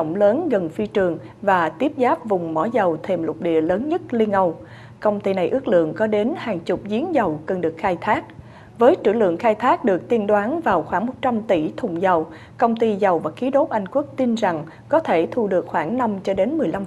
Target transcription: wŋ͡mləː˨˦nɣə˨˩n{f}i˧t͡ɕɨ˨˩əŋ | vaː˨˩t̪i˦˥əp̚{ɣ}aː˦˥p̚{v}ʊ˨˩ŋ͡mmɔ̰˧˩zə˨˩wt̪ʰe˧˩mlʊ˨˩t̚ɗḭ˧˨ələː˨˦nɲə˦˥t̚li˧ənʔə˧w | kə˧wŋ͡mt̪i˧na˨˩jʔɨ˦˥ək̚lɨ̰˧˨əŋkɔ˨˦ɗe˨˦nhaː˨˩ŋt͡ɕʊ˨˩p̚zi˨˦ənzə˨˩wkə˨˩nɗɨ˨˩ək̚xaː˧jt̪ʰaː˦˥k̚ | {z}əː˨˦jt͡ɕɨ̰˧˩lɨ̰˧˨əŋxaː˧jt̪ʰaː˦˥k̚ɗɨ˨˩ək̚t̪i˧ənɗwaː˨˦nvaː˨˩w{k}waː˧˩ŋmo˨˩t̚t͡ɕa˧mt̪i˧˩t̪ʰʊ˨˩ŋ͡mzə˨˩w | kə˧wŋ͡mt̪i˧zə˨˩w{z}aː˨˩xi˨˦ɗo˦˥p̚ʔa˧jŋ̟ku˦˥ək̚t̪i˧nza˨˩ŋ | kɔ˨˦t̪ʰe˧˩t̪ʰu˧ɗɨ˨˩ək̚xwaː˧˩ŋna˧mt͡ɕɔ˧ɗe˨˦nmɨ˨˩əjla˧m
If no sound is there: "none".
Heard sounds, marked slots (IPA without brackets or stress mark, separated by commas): f, z, v, v, x, v